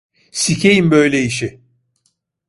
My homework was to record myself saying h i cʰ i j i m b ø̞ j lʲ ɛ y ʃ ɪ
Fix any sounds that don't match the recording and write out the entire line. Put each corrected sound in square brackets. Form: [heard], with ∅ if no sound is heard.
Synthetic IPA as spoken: [s] i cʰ [e] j i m b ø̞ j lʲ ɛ [i] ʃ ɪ